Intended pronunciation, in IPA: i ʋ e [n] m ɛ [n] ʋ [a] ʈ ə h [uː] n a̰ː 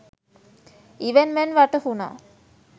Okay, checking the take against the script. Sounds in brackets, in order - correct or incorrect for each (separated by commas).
correct, correct, correct, incorrect